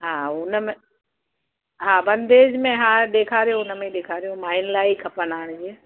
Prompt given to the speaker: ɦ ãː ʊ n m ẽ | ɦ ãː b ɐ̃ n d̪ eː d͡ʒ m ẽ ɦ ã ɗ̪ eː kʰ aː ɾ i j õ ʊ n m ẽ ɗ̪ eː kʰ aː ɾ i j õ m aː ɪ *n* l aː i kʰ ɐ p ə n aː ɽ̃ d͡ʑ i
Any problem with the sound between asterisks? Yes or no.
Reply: no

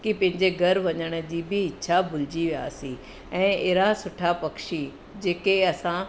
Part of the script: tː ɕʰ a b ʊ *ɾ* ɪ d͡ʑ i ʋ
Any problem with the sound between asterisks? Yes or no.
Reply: yes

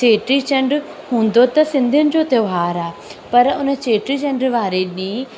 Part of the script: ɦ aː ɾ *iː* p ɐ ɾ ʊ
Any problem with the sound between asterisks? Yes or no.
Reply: yes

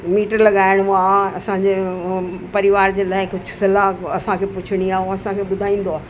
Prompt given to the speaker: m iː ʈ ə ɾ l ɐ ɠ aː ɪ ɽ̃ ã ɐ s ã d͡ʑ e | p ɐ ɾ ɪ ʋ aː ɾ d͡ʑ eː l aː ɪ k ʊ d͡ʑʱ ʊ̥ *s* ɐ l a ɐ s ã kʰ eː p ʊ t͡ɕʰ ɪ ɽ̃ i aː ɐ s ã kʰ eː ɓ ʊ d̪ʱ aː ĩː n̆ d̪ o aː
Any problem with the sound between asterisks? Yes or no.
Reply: no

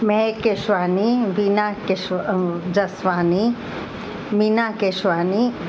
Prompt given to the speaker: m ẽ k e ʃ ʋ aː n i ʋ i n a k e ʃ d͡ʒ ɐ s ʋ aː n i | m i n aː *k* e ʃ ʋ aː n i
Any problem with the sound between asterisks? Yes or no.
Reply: no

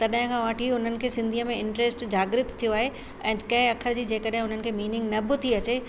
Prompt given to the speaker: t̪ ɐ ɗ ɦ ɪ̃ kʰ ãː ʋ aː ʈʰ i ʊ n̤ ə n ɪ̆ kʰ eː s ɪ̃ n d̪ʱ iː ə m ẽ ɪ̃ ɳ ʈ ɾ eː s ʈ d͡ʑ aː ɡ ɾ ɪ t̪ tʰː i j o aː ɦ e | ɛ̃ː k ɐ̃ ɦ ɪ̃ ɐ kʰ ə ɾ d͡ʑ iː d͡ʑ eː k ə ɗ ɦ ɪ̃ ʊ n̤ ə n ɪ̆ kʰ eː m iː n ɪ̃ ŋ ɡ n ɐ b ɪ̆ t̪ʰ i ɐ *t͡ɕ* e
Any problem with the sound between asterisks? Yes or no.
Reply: no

